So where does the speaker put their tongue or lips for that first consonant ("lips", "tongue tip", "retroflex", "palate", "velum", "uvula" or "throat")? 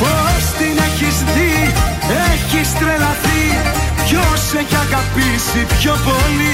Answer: lips